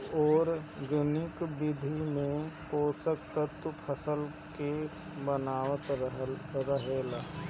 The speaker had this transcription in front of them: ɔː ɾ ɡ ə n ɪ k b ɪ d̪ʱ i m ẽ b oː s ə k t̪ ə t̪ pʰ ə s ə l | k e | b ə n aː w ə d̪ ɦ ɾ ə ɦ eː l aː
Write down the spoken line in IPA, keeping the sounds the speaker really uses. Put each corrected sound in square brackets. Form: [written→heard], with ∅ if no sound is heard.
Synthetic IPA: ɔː ɾ ɡ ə n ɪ k b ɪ d̪ʱ i m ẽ [b→p] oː s ə k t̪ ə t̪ pʰ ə s ə l | k e | b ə n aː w ə [d̪→t̪] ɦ ɾ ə ɦ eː l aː